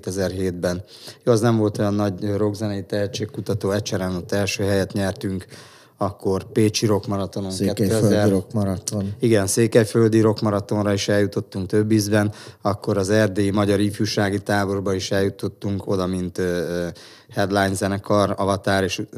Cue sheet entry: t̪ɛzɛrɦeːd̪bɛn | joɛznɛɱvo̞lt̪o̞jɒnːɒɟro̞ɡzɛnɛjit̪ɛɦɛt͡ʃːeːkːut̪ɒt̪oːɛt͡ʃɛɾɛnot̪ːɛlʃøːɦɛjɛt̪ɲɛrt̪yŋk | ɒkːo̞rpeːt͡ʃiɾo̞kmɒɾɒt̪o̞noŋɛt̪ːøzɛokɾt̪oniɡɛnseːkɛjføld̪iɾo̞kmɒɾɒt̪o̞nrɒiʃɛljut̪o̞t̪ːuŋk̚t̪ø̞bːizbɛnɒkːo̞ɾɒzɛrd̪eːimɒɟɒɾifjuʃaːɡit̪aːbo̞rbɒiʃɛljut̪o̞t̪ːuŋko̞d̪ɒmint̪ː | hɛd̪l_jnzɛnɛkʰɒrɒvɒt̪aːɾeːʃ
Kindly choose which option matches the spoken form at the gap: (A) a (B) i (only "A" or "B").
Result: A